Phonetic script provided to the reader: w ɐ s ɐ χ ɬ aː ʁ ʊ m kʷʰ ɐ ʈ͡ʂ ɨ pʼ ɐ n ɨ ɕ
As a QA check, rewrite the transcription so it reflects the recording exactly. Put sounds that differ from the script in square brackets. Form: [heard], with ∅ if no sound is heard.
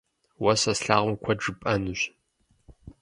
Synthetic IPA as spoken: w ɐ s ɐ [s] ɬ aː ʁ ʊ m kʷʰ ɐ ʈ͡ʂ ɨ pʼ ɐ n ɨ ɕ